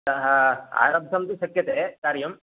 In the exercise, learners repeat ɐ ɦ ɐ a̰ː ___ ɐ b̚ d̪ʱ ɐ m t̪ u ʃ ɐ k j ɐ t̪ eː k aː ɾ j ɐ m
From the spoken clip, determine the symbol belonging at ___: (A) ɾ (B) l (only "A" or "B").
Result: A